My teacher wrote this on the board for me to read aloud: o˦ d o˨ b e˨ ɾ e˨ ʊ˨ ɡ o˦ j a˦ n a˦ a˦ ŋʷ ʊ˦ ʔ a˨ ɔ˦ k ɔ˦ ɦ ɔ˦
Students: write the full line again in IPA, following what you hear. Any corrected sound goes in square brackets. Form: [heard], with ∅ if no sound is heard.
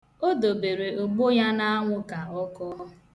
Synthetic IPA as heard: o˦ d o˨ b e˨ ɾ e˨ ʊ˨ [ɡ͡b] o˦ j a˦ n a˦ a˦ ŋʷ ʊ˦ [k] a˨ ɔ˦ k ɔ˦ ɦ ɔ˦